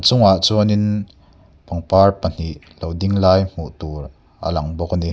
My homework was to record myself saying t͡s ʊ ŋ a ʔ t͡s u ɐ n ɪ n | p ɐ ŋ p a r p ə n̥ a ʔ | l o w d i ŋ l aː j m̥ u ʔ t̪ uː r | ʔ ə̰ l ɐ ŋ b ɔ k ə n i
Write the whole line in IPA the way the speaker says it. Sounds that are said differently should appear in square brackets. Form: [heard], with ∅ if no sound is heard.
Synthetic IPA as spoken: t͡s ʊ ŋ a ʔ t͡s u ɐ n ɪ n | p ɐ ŋ p a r p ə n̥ [i] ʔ | l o w d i ŋ l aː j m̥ u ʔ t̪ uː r | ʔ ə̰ l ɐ ŋ b ɔ k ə n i